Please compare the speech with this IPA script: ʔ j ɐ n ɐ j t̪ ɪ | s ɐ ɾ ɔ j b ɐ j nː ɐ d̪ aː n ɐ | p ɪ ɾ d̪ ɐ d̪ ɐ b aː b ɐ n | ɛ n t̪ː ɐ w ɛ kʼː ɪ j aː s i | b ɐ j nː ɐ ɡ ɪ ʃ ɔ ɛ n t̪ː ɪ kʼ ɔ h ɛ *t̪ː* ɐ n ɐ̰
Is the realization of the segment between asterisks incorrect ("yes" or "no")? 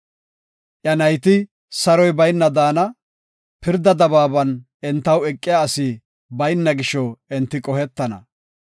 no